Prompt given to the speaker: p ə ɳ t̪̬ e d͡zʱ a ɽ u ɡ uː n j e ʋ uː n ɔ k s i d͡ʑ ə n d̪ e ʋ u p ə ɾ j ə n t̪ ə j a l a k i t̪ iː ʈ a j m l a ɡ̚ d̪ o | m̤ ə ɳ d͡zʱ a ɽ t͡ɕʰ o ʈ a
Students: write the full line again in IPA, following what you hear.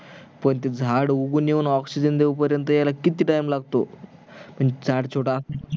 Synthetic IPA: p ə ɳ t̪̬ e d͡zʱ a ɽ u ɡ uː n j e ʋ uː n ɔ k s i d͡ʑ ə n d̪ e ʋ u p ə ɾ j ə n t̪ ə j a l a k i t̪ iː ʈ a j m l a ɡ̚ t̪ o | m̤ ə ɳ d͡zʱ a ɽ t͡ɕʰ o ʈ a